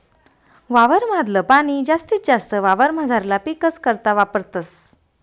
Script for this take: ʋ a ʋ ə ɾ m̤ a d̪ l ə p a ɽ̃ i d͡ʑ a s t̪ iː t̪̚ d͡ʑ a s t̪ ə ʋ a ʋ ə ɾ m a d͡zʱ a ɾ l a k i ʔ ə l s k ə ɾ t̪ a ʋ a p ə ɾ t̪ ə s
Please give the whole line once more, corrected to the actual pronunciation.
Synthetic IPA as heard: ʋ a ʋ ə ɾ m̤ a d̪ l ə p a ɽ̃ i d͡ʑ a s t̪ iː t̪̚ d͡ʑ a s t̪ ə ʋ a ʋ ə ɾ m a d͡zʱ a ɾ l a p i k ə s k ə ɾ t̪ a ʋ a p ə ɾ t̪ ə s